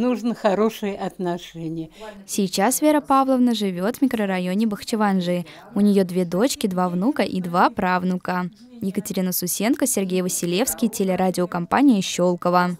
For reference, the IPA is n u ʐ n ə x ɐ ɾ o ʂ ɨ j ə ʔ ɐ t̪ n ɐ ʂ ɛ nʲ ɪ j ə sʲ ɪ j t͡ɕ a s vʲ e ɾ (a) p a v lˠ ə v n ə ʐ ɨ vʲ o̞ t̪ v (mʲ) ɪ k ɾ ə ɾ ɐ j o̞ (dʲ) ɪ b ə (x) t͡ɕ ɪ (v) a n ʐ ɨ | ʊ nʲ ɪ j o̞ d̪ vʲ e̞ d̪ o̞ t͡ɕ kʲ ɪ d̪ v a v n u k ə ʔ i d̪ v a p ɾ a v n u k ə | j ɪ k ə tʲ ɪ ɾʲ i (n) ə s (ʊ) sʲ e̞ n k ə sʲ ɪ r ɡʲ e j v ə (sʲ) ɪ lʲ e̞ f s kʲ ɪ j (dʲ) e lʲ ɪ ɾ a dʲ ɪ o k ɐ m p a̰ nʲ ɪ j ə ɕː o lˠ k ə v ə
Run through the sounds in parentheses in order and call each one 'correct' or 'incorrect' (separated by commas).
incorrect, correct, incorrect, correct, correct, correct, correct, correct, incorrect